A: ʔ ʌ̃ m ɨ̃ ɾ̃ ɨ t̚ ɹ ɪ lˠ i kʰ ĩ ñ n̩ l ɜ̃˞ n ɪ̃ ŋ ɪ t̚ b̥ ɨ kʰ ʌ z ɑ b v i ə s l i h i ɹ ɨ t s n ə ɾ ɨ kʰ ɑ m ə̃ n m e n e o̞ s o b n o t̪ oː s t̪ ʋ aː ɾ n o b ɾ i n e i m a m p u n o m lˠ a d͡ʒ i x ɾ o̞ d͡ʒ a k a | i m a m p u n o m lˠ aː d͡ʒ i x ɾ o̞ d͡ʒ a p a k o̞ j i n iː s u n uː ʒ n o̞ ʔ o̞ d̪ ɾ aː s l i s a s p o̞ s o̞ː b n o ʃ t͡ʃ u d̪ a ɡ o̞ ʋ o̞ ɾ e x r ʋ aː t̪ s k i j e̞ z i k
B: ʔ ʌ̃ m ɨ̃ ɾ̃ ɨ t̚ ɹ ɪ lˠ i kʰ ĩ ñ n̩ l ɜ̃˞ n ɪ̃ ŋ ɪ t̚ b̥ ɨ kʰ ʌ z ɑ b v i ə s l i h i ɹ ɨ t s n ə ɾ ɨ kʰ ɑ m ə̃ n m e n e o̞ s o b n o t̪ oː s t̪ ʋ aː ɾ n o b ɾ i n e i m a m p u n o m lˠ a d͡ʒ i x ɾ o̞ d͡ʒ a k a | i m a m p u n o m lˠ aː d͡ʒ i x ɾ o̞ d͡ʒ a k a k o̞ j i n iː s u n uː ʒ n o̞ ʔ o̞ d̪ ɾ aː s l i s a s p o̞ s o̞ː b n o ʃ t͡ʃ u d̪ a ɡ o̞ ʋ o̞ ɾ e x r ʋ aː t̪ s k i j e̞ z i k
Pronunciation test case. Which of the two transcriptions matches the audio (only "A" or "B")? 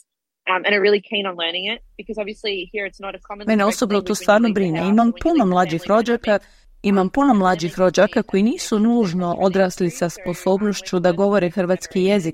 B